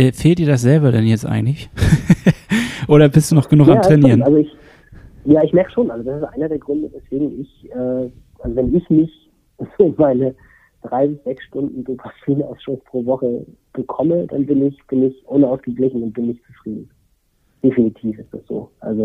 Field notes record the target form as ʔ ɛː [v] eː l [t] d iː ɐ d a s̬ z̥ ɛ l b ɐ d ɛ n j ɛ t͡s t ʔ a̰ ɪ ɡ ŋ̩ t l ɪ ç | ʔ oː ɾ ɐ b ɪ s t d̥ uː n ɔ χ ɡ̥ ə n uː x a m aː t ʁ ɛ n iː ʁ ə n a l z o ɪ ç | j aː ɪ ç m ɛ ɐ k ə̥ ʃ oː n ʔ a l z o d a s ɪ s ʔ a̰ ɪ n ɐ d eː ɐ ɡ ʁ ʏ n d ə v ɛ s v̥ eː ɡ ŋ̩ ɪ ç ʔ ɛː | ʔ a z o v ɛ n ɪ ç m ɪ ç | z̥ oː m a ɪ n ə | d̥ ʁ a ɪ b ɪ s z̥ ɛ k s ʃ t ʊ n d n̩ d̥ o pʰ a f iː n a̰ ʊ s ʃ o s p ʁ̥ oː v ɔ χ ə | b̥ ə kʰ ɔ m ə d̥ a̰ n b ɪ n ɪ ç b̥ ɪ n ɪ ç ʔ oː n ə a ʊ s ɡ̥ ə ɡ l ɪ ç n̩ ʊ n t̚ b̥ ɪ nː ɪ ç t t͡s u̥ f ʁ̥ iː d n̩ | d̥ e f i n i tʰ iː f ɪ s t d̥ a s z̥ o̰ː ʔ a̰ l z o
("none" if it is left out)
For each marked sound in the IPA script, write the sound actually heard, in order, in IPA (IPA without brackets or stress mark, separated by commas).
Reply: f, t